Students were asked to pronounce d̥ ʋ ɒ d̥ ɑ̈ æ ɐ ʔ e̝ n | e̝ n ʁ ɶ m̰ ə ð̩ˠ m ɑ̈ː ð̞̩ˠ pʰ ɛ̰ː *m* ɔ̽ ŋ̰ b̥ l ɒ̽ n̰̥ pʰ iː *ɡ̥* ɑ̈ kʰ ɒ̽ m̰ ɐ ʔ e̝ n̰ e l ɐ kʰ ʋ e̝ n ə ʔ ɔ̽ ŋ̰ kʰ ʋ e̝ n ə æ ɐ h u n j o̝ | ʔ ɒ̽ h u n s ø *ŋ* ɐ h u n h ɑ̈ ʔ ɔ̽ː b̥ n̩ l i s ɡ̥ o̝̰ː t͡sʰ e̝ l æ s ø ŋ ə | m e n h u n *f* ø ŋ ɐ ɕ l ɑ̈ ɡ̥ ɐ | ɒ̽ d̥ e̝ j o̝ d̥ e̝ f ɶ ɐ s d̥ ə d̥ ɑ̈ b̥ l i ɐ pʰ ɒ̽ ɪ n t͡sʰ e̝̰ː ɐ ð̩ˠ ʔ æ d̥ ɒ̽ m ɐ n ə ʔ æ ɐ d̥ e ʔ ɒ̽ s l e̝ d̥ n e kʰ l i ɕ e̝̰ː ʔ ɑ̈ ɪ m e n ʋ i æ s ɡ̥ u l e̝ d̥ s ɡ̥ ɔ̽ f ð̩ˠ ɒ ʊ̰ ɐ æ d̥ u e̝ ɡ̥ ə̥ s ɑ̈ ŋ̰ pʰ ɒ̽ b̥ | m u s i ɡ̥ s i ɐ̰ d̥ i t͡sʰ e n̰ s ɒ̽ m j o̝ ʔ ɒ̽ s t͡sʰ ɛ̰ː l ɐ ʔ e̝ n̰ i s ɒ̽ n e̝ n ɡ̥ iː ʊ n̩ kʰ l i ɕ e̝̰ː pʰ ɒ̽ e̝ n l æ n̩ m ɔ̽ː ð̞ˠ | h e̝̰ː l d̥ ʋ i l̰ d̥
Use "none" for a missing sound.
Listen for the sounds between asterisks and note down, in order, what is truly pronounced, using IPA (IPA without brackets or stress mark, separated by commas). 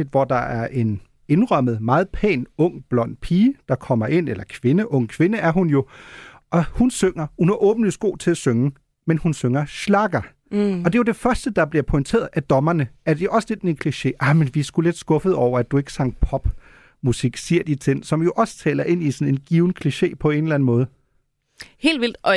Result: n, d̥, ŋ, s